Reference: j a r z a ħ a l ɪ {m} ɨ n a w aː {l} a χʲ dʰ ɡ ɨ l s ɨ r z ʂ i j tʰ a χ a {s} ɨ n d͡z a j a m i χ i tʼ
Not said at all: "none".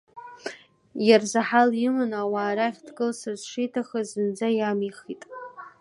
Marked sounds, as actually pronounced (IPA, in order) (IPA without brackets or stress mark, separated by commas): m, ɾ, z